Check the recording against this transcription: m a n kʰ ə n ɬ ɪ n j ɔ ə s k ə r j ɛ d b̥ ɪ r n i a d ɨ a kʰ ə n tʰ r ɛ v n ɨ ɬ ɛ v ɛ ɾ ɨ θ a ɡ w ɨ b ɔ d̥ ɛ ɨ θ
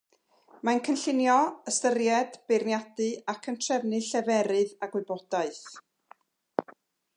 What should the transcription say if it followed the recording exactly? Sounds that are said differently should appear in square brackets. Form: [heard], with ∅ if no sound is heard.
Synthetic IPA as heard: m a n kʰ ə n ɬ ɪ n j ɔ ə s [t] ə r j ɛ d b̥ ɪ r n [j] a d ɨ a kʰ ə n tʰ r ɛ v n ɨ ɬ ɛ v ɛ ɾ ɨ [ð] a ɡ w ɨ b ɔ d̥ [a] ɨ θ